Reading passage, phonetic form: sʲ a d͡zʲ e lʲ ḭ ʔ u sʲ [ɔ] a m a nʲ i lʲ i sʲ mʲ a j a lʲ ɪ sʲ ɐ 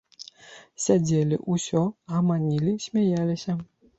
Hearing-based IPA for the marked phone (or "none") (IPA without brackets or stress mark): ɔ